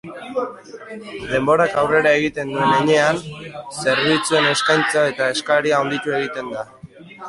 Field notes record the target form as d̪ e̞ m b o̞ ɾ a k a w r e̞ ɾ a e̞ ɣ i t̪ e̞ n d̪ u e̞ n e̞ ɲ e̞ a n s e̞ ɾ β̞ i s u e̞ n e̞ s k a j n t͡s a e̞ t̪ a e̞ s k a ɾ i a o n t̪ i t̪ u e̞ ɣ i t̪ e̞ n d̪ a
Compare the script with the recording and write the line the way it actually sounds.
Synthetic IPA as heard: d̪ e̞ m b o̞ ɾ a k a w r e̞ ɾ a e̞ ɣ i t̪ e̞ n d̪ u e̞ n e̞ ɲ e̞ a n s e̞ ɾ β̞ i t͡s u e̞ n e̞ s k a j n t͡s a e̞ t̪ a e̞ s k a ɾ i a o n d̪ i t̪ u e̞ ɣ i t̪ e̞ n d̪ a